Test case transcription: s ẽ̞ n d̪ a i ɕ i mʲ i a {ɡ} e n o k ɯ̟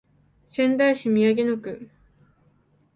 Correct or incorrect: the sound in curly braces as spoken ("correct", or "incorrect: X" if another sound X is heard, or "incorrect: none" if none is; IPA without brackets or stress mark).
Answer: correct